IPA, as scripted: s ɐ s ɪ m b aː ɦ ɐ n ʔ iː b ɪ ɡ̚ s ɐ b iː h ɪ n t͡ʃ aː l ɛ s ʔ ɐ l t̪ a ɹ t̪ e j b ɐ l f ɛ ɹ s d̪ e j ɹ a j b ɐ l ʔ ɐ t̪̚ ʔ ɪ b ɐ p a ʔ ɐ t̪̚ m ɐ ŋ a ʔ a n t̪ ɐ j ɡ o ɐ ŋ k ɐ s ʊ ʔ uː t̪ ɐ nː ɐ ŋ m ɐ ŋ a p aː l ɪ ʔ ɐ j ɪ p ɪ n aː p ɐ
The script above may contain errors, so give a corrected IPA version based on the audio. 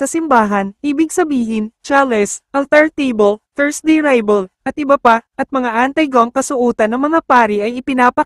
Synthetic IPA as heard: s ɐ s ɪ m b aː ɦ ɐ n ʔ iː b ɪ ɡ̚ s ɐ b iː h ɪ n t͡ʃ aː l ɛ s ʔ ɐ l t̪ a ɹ t̪ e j b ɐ l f ɛ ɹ s d̪ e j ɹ a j b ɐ l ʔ ɐ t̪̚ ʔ ɪ b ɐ p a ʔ ɐ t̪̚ m ɐ ŋ a ʔ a n t̪ ɐ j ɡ o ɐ ŋ k ɐ s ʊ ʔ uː t̪ ɐ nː ɐ ŋ m ɐ ŋ a p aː ɾ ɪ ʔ ɐ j ɪ p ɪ n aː p ɐ

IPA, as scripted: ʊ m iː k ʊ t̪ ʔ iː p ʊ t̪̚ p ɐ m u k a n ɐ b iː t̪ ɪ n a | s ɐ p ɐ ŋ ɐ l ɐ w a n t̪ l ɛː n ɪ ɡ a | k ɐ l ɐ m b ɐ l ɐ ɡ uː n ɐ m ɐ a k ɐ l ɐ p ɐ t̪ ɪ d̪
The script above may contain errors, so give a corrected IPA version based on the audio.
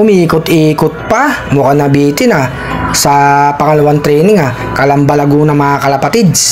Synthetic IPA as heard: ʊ m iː k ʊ t̪ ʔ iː k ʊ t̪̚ p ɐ m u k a n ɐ b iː t̪ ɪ n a | s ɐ p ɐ ŋ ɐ l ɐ w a n t̪ ɾ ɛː n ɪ ŋ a | k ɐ l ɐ m b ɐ l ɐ ɡ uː n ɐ m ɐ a k ɐ l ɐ p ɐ t̪ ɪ d̪

